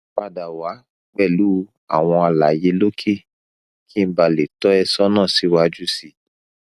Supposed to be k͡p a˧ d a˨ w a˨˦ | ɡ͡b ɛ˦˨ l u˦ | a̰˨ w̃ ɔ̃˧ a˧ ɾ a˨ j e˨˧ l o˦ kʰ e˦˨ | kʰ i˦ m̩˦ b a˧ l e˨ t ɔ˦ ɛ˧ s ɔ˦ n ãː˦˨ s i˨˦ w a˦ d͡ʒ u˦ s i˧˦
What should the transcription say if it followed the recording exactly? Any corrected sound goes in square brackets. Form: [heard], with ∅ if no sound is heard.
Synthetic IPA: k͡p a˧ d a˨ w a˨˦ | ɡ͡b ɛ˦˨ l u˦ | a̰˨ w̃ ɔ̃˧ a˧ [l] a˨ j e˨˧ l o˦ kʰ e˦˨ | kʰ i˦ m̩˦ b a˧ l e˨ t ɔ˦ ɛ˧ s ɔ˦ n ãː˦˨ s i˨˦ w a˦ d͡ʒ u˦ s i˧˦